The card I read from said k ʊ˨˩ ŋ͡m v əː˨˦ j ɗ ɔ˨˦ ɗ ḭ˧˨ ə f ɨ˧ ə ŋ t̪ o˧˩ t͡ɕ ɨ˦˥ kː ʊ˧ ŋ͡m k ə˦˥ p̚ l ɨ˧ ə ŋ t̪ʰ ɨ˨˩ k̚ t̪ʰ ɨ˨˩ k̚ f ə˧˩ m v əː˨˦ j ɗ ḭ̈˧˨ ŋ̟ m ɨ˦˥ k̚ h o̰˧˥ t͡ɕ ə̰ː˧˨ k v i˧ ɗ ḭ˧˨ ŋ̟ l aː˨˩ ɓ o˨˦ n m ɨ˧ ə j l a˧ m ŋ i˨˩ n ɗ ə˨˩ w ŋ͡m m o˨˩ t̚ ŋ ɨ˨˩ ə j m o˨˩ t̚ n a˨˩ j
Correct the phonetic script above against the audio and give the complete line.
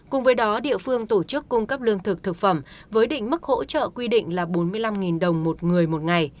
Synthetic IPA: k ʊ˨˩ ŋ͡m v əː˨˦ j ɗ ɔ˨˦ ɗ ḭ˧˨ ə f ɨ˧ ə ŋ t̪ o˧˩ t͡ɕ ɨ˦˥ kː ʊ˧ ŋ͡m k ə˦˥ p̚ l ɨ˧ ə ŋ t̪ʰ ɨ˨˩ k̚ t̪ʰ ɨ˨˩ k̚ f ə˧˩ m v əː˨˦ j ɗ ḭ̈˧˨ ŋ̟ m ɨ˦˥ k̚ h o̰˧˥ t͡ɕ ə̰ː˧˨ k w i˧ ɗ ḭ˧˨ ŋ̟ l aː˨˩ ɓ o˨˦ n m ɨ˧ ə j l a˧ m ŋ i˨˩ n ɗ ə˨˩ w ŋ͡m m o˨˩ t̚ ŋ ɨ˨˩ ə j m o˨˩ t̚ ŋ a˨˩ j